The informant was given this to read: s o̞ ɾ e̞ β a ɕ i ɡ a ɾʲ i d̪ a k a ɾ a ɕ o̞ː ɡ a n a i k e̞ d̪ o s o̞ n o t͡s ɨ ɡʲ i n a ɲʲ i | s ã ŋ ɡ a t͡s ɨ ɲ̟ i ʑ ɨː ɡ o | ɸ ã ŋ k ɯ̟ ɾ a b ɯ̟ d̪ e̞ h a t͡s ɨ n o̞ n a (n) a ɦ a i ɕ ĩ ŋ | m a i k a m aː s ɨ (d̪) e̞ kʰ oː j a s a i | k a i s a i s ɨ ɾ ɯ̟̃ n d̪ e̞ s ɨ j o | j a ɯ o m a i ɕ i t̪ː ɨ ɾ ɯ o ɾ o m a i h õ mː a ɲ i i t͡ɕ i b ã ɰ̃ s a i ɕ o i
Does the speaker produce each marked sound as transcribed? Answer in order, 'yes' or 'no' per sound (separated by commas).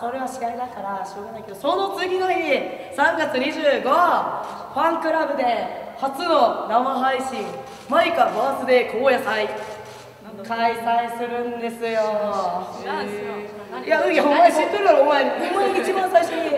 no, yes